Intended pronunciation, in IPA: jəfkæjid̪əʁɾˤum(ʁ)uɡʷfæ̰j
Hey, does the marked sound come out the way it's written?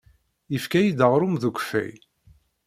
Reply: no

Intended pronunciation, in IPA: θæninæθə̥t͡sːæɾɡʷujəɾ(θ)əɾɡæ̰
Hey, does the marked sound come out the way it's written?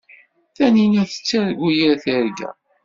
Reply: yes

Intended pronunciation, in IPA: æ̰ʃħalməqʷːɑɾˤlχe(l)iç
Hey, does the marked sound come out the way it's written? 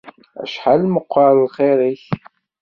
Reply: no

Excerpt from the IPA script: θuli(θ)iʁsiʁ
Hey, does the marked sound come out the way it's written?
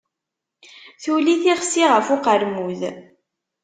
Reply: yes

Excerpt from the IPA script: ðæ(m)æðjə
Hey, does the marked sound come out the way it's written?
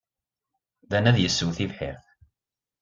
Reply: no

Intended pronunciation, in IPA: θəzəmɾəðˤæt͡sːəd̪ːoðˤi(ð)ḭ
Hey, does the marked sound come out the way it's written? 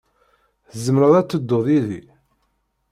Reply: yes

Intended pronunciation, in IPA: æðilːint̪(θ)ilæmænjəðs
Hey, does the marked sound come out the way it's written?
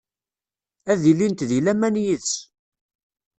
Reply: no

